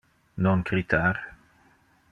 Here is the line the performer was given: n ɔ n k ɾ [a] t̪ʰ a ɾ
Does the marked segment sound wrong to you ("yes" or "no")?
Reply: yes